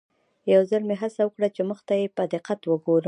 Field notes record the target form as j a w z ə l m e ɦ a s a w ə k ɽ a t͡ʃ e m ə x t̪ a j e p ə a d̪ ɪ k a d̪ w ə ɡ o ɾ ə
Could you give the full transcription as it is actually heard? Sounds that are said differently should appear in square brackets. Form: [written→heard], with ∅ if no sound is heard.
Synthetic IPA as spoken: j a w z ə l m e ɦ a s a w ə k ɽ a t͡ʃ e m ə x t̪ a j e p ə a d̪ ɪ [k→q] a [d̪→t̪] w ə ɡ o ɾ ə